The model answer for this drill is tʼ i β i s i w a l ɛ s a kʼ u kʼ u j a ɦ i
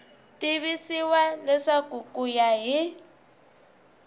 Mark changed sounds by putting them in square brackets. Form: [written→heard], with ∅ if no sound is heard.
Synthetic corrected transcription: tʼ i β i s i w a l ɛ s a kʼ u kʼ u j a ɦ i